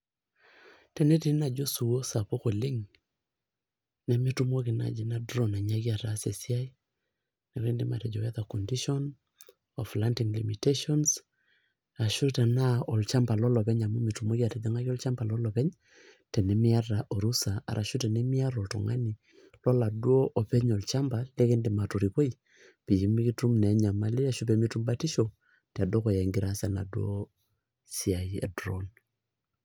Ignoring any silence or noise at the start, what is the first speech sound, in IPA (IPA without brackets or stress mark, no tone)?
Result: t